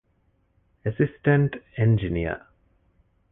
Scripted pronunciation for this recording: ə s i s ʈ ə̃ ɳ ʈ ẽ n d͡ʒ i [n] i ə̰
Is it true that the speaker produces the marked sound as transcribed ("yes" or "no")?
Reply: yes